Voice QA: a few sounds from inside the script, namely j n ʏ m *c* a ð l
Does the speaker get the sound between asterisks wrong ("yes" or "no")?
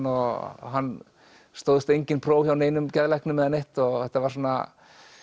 no